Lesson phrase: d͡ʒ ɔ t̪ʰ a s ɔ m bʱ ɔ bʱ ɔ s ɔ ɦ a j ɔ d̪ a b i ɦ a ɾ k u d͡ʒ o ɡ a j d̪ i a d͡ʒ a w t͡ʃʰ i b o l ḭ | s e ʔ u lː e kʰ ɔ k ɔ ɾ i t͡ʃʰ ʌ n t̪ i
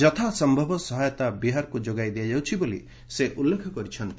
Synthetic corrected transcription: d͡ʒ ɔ t̪ʰ a s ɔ m bʱ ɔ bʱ ɔ s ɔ ɦ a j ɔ t̪ a b i ɦ a ɾ k u d͡ʒ o ɡ a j d̪ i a d͡ʒ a w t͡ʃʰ i b o l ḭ | s e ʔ u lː e kʰ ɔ k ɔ ɾ i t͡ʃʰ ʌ n t̪ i